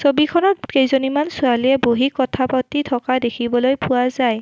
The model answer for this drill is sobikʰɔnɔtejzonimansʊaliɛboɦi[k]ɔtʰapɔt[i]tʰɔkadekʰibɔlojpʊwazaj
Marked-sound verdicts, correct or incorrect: correct, correct

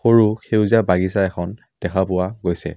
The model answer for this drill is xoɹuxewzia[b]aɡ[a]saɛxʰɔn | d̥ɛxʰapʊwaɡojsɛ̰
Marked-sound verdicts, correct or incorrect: correct, incorrect: i

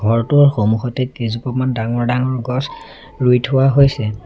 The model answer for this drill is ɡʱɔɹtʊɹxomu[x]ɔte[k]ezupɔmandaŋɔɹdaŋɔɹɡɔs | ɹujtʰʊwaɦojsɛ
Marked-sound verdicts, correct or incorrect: correct, correct

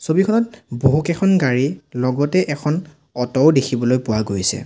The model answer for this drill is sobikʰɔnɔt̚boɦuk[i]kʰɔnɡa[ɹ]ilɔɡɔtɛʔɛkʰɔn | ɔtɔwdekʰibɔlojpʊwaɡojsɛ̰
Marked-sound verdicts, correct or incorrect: incorrect: ɛ, correct

